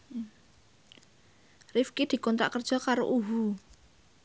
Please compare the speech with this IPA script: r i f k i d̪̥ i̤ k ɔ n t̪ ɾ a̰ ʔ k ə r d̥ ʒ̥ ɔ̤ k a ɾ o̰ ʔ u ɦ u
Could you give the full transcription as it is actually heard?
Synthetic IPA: r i f k i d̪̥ i̤ k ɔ n t̪ ɾ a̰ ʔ k ə r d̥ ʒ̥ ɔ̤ k a ɾ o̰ ʔ u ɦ u